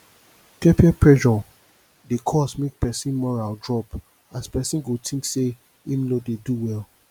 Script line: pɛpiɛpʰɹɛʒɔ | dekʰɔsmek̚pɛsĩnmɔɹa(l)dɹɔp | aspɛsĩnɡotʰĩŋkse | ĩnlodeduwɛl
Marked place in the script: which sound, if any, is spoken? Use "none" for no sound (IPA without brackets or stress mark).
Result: l